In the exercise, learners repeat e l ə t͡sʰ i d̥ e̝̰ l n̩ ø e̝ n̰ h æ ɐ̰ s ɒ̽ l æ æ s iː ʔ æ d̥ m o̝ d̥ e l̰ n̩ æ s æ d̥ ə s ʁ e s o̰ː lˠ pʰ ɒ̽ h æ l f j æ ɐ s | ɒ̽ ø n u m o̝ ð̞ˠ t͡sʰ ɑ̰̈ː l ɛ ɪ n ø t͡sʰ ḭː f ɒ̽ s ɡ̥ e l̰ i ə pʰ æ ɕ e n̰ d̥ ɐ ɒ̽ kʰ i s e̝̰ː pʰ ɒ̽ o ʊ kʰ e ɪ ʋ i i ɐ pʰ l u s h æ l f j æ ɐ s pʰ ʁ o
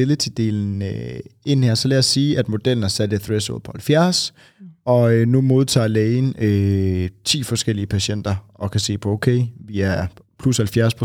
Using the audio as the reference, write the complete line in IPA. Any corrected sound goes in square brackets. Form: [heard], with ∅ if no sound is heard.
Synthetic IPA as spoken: e l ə t͡sʰ i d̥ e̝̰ l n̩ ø e̝ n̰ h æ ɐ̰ s ɒ̽ l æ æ s iː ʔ æ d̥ m o̝ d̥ e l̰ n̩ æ s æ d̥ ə [θ] ʁ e s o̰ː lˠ pʰ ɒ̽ h æ l f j æ ɐ s | ɒ̽ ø n u m o̝ ð̞ˠ t͡sʰ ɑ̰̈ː l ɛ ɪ n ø t͡sʰ ḭː f ɒ̽ s ɡ̥ e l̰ i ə pʰ æ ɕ e n̰ d̥ ɐ ɒ̽ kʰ [æ] s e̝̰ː pʰ ɒ̽ o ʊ kʰ e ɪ ʋ i [æ] ɐ pʰ l u s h æ l f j æ ɐ s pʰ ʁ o